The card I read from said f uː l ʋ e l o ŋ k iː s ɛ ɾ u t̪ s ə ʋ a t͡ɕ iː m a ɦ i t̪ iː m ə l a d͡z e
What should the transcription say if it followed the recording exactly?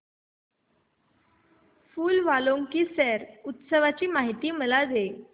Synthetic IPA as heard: f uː l ʋ a l o ŋ k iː s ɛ ɾ u t̪ s ə ʋ a t͡ɕ iː m a ɦ i t̪ iː m ə l a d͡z e

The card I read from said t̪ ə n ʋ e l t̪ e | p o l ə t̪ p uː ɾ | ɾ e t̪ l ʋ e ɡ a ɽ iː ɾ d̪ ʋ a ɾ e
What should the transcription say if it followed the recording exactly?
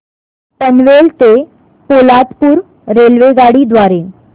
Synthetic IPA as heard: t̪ ə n ʋ e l t̪ e | p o l a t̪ p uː ɾ | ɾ e l ʋ e ɡ a ɽ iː d̪ ʋ a ɾ e

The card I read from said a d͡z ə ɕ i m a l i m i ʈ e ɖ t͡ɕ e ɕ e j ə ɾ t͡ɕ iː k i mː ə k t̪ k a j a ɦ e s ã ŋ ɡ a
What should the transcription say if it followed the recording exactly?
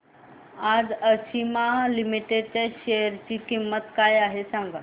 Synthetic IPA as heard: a d͡z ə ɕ i m a l i m i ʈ e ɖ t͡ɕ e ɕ e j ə ɾ t͡ɕ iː k i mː ə t̪ k a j a ɦ e s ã ŋ ɡ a

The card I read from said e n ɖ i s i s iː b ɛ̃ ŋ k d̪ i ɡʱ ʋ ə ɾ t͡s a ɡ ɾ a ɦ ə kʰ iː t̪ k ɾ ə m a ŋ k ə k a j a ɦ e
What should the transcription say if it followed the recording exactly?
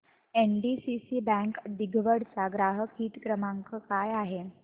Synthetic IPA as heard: e n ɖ i s i s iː b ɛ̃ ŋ k d̪ i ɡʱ ʋ ə ɽ t͡s a ɡ ɾ a ɦ ə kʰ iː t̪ k ɾ ə m a ŋ k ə k a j a ɦ e

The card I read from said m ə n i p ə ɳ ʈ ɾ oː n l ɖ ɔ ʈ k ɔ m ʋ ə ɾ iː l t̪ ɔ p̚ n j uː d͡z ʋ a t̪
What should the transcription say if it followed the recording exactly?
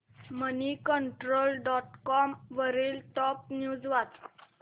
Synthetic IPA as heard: m ə n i k ə ɳ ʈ ɾ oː l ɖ ɔ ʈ k ɔ m ʋ ə ɾ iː l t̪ ɔ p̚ n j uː d͡z ʋ a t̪

